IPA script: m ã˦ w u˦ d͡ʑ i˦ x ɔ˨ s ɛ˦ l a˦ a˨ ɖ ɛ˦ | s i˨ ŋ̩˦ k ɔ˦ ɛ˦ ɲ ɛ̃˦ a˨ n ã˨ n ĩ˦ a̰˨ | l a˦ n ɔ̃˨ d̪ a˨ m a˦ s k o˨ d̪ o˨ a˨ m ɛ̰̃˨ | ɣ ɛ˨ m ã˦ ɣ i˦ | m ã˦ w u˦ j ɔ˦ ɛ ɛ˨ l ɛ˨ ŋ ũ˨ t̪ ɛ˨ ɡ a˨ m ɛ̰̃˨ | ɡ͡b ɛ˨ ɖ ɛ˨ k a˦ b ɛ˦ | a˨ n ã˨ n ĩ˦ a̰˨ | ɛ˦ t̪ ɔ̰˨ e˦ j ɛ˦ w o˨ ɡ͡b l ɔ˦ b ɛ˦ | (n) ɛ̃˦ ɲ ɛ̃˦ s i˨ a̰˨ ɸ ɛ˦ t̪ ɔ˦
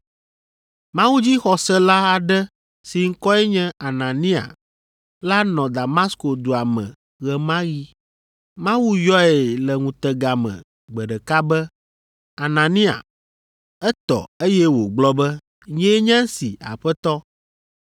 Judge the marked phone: incorrect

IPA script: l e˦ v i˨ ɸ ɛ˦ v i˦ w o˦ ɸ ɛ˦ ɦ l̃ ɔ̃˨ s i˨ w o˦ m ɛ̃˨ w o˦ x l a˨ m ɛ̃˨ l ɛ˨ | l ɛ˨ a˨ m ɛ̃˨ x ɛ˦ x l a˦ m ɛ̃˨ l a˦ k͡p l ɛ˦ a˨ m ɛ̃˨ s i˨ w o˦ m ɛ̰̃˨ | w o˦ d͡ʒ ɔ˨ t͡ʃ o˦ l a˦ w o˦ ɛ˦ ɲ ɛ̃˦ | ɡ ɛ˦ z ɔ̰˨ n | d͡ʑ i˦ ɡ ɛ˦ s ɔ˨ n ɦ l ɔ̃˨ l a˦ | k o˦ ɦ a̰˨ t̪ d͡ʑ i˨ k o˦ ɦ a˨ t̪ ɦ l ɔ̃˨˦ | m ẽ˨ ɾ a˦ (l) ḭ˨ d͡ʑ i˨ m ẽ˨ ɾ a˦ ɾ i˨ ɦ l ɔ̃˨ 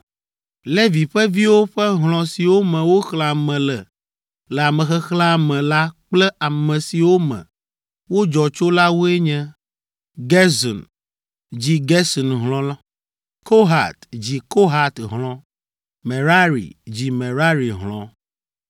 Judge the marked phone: incorrect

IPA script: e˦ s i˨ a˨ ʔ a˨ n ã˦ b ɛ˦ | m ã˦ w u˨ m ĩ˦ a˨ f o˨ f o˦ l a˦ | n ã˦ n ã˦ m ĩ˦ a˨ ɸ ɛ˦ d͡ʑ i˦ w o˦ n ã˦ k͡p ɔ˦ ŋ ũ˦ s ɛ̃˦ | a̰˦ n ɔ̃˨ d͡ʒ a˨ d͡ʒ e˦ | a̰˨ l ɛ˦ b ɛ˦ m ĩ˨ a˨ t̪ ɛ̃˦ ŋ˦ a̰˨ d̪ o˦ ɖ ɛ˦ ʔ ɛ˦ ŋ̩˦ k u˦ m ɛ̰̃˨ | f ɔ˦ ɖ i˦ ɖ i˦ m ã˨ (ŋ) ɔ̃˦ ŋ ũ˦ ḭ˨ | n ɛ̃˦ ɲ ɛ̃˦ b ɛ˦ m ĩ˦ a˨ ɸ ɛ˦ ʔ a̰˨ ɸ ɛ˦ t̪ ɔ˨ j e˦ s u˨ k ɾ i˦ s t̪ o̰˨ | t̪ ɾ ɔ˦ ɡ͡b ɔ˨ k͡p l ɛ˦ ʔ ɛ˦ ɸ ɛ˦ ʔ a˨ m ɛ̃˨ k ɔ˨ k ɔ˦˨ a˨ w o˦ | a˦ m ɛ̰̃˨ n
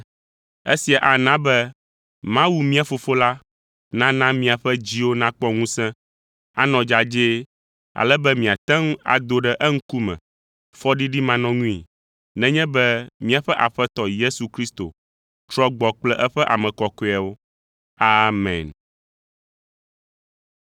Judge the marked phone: incorrect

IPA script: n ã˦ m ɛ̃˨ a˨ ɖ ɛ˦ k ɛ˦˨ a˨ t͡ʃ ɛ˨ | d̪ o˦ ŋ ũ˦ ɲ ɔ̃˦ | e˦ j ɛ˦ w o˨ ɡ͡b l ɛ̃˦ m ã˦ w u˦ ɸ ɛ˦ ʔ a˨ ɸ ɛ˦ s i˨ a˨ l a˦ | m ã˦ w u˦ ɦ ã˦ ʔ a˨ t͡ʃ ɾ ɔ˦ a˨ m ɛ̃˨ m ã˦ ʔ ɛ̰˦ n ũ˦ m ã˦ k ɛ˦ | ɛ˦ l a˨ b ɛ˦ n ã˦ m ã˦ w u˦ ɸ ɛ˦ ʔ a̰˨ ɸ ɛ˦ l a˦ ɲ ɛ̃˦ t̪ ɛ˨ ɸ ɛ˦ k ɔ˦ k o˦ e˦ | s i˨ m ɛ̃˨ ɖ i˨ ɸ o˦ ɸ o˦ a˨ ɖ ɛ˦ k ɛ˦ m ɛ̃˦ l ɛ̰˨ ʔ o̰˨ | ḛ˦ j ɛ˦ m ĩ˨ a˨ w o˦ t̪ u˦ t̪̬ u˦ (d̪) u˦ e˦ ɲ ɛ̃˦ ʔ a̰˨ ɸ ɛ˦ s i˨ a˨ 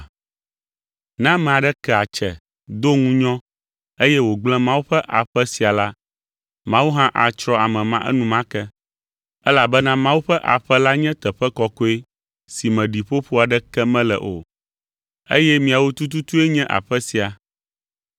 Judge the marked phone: incorrect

